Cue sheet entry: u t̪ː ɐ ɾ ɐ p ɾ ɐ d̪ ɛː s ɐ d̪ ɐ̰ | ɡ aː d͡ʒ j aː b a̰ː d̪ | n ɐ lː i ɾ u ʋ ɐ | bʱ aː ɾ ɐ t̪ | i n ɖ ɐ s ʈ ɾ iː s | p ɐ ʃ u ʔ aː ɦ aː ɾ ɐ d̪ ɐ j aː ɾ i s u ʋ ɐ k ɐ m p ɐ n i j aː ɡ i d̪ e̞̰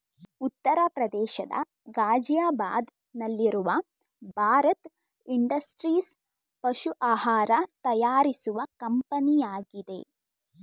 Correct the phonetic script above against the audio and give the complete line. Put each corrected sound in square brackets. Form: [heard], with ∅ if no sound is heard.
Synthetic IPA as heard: u t̪ː ɐ ɾ ɐ p ɾ ɐ d̪ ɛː [ʃ] ɐ d̪ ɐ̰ | ɡ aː d͡ʒ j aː b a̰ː d̪ | n ɐ lː i ɾ u ʋ ɐ | bʱ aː ɾ ɐ t̪ | i [ɳ] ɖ ɐ s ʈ ɾ iː s | p ɐ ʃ u ʔ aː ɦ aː ɾ ɐ [t̪] ɐ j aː ɾ i s u ʋ ɐ k ɐ m p ɐ n i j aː ɡ i d̪ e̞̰

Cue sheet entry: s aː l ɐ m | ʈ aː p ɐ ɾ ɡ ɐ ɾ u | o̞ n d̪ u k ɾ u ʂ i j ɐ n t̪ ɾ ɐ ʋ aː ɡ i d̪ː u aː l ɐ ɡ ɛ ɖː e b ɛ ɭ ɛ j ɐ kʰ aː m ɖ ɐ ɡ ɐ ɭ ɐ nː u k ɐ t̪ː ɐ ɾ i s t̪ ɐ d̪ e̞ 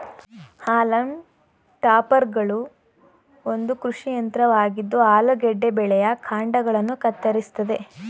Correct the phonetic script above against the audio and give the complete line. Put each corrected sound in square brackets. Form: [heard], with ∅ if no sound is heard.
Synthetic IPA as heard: [h] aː l ɐ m | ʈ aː p ɐ ɾ ɡ ɐ [ɭ] u | o̞ n d̪ u k ɾ u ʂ i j ɐ n t̪ ɾ ɐ ʋ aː ɡ i d̪ː u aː l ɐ ɡ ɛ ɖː e b ɛ ɭ ɛ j ɐ kʰ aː [ɳ] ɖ ɐ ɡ ɐ ɭ ɐ nː u k ɐ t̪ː ɐ ɾ i s t̪ ɐ d̪ e̞

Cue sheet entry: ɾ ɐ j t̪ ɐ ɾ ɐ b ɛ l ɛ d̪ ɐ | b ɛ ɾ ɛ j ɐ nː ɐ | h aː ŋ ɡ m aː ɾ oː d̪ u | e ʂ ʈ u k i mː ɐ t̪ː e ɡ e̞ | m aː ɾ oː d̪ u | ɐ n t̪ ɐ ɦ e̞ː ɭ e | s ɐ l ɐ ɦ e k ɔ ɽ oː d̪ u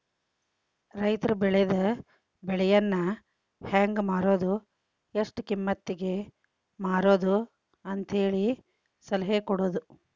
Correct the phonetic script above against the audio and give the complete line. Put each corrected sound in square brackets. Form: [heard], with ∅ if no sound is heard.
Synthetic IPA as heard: ɾ ɐ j t̪ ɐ ɾ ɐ b ɛ [ɭ] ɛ d̪ ɐ | b ɛ [ɭ] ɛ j ɐ nː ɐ | h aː ŋ ɡ m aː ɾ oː d̪ u | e ʂ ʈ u k i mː ɐ t̪ː [i] ɡ e̞ | m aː ɾ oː d̪ u | ɐ n t̪ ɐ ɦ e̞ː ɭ [i] | s ɐ l ɐ ɦ e k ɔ ɽ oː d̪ u

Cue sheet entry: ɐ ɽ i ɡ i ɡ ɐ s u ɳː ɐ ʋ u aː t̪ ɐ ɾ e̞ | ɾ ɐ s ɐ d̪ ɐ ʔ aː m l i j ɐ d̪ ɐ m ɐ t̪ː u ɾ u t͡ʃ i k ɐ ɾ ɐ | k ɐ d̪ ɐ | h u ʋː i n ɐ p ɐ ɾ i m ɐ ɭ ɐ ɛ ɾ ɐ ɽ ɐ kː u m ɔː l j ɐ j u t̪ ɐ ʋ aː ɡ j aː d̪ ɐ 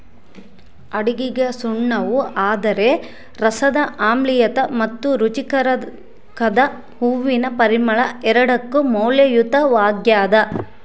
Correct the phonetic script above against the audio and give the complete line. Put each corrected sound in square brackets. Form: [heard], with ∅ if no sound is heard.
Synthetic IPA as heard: ɐ ɽ i ɡ i ɡ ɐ s u ɳː ɐ ʋ u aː [d̪] ɐ ɾ e̞ | ɾ ɐ s ɐ d̪ ɐ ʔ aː m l i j ɐ [t̪] ɐ m ɐ t̪ː u ɾ u t͡ʃ i k ɐ ɾ ɐ | k ɐ d̪ ɐ | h u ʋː i n ɐ p ɐ ɾ i m ɐ ɭ ɐ ɛ ɾ ɐ ɽ ɐ kː u m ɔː l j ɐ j u t̪ ɐ ʋ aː ɡ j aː d̪ ɐ

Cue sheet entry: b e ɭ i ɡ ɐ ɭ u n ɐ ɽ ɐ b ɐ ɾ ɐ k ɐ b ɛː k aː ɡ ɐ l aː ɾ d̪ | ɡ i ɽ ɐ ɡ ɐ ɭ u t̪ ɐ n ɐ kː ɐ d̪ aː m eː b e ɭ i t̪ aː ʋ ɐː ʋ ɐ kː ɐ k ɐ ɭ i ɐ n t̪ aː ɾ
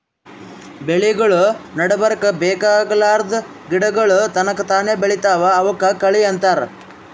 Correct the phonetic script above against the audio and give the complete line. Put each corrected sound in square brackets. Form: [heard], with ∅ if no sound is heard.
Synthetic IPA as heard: b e ɭ i ɡ ɐ ɭ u n ɐ ɽ ɐ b ɐ ɾ ɐ k ɐ b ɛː k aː ɡ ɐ l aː ɾ d̪ | ɡ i ɽ ɐ ɡ ɐ ɭ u t̪ ɐ n ɐ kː ɐ [t̪] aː [n] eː b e ɭ i t̪ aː ʋ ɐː ʋ ɐ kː ɐ k ɐ ɭ i ɐ n t̪ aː ɾ

